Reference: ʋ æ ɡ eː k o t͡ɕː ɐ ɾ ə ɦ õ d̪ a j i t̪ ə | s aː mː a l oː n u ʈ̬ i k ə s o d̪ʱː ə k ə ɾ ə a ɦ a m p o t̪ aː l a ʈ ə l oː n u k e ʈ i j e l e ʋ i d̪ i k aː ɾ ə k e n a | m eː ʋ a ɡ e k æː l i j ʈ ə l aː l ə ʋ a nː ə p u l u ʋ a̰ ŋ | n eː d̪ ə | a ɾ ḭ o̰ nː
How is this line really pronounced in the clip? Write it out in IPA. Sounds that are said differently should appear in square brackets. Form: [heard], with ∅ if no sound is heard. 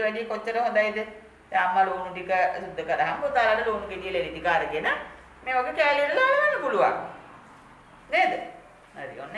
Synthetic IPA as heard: ʋ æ ɡ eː k o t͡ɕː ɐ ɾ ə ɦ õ d̪ a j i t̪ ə | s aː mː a l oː n u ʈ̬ i k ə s [u] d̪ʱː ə k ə ɾ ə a ɦ a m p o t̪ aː l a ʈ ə l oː n u k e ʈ i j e l e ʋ i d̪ i k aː ɾ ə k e n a | m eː ʋ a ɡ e k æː l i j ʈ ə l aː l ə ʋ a nː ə p u l u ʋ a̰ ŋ | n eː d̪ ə | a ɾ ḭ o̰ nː